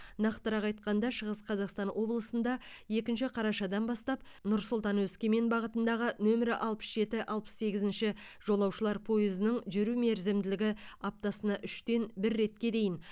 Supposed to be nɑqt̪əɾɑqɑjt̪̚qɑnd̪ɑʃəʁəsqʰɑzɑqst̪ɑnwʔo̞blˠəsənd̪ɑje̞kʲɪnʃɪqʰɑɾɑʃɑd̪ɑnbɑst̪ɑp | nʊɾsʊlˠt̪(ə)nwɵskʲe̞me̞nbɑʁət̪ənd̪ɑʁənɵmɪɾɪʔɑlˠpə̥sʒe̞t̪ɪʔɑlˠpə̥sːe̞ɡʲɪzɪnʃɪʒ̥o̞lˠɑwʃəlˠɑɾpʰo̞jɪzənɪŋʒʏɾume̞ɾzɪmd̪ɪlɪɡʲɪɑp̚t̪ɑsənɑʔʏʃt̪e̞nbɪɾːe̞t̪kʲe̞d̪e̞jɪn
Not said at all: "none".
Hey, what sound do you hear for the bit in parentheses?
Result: ɑ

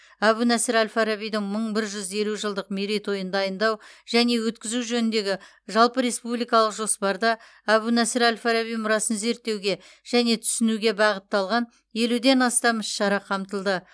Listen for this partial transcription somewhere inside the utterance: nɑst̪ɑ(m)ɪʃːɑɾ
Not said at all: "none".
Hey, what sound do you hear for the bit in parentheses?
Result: m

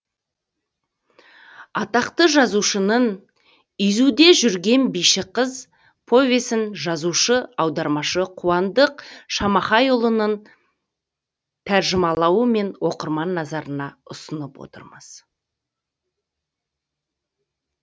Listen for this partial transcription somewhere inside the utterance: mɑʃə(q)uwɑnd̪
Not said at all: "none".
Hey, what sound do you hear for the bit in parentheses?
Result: qʰ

